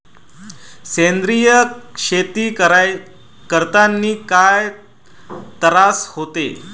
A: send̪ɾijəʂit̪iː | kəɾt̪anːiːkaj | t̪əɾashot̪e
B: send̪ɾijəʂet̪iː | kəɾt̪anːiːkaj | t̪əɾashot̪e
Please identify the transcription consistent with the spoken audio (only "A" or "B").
B